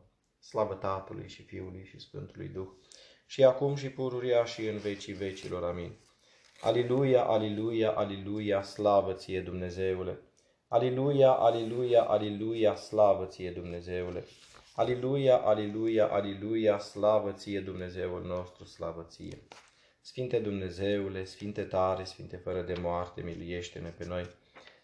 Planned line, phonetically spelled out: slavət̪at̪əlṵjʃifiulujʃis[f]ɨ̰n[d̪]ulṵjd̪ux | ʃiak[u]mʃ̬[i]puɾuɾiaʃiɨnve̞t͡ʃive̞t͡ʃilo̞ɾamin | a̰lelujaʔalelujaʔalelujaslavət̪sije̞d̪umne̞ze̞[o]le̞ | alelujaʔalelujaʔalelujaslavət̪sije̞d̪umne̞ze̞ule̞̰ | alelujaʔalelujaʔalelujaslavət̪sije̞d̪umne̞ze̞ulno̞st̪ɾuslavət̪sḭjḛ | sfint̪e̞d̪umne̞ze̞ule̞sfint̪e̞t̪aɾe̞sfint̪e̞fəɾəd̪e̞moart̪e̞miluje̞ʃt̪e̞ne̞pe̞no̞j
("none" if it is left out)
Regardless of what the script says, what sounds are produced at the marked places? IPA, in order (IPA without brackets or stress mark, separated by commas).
f, t̪, u, i, u